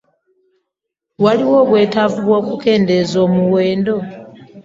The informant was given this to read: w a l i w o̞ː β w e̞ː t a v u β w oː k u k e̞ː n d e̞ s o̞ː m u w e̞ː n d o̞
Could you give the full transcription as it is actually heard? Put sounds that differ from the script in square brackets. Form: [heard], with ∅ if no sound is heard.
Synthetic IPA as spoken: w a l i w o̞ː β w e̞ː t a v u β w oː k u k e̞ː n d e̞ [z] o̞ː m u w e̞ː n d o̞